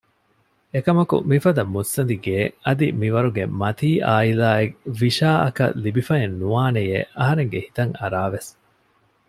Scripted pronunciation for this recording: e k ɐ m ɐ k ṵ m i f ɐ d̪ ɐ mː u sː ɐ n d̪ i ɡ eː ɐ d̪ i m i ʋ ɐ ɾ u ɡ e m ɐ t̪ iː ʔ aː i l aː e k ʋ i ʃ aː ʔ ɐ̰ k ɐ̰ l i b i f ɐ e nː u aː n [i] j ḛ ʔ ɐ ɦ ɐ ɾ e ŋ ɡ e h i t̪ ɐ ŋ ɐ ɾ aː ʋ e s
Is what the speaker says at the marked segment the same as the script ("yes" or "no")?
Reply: no